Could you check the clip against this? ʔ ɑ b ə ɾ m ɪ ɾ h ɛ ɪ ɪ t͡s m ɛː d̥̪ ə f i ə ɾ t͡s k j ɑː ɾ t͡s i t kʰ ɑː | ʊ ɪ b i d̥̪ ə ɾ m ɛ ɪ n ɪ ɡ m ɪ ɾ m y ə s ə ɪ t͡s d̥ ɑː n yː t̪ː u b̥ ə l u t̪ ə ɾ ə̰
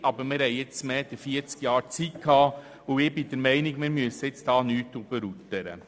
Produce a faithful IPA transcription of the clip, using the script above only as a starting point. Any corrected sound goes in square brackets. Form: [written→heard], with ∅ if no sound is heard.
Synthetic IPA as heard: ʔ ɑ b ə ɾ m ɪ ɾ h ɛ ɪ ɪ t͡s m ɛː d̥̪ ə f i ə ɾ t͡s k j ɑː ɾ t͡s i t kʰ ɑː | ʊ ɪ b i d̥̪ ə ɾ m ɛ ɪ n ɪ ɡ m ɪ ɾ m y ə s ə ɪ t͡s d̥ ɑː n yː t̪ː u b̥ ə [l→ɾ] u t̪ ə ɾ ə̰